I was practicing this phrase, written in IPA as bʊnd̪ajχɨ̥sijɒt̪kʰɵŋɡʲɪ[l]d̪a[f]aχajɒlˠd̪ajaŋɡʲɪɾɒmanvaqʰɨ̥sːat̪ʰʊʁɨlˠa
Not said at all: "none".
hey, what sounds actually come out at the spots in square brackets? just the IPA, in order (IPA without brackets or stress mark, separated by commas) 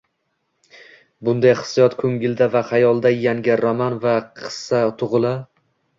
l, v